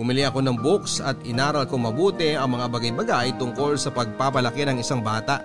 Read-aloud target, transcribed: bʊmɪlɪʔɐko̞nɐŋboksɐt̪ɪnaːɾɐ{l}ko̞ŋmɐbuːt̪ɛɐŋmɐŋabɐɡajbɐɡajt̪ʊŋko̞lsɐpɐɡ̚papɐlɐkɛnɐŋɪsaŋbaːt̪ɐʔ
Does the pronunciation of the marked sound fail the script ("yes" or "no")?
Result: no